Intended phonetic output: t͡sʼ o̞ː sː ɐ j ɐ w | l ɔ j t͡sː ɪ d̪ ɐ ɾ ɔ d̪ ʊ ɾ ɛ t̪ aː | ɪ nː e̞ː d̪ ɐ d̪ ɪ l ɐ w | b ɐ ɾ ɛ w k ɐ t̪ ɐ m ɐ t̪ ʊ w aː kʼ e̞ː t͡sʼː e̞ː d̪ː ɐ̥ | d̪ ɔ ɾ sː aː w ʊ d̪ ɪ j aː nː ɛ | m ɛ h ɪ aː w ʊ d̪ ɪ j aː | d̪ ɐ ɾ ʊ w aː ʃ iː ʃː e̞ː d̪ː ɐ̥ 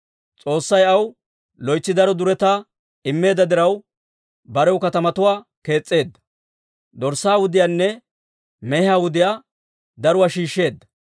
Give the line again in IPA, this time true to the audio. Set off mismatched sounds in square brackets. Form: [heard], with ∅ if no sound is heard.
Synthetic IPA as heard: t͡sʼ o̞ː sː ɐ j ɐ w | l ɔ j t͡sː ɪ d̪ ɐ ɾ ɔ d̪ ʊ ɾ ɛ t̪ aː | ɪ [mː] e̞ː d̪ ɐ d̪ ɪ [ɾ] ɐ w | b ɐ ɾ ɛ w k ɐ t̪ ɐ m ɐ t̪ ʊ w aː [k] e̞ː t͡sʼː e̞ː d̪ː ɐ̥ | d̪ ɔ ɾ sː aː w ʊ d̪ ɪ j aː nː ɛ | m ɛ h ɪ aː w ʊ d̪ ɪ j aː | d̪ ɐ ɾ ʊ w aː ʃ iː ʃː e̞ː d̪ː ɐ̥